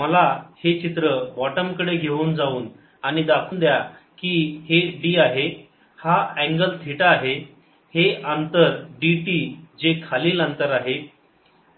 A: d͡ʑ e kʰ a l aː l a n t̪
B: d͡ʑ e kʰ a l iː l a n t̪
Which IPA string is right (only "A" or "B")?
B